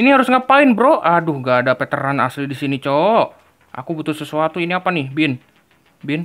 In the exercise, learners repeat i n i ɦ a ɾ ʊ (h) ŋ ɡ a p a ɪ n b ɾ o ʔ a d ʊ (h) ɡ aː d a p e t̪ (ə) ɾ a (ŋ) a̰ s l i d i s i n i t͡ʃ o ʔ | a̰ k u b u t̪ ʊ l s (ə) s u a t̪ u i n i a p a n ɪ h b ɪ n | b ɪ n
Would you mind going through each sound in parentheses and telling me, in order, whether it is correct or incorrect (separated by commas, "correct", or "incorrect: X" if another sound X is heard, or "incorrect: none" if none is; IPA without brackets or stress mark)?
incorrect: s, correct, correct, incorrect: n, correct